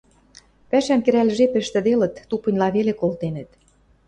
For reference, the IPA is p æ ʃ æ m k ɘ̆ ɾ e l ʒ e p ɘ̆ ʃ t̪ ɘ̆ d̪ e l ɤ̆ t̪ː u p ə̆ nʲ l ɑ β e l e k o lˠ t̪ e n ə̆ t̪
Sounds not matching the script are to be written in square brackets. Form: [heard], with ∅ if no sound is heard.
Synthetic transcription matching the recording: p æ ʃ æ m k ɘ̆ ɾ [æ] l ʒ e p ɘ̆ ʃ t̪ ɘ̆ d̪ e l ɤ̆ t̪ː u p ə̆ nʲ l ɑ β e l e k o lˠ t̪ e n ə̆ t̪